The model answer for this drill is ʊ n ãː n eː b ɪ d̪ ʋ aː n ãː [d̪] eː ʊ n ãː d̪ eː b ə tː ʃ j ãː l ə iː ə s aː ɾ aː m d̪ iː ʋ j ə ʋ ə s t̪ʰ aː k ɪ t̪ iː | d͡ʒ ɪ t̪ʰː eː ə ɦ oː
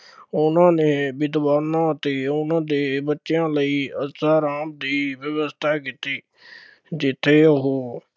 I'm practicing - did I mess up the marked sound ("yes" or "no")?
yes